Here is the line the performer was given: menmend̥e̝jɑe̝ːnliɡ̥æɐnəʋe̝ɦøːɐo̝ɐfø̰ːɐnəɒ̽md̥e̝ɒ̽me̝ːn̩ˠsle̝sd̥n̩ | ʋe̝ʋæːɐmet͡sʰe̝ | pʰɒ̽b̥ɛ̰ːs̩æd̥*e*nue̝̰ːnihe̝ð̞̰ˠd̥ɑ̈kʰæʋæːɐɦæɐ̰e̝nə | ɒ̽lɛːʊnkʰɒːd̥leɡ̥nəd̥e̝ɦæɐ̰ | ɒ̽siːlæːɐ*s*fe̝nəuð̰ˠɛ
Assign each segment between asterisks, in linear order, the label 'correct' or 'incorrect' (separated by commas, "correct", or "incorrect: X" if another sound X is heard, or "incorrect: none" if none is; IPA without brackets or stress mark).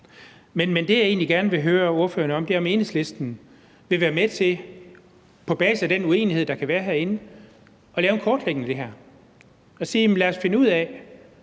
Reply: correct, correct